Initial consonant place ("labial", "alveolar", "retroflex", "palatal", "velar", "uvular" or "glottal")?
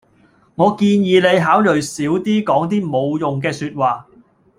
velar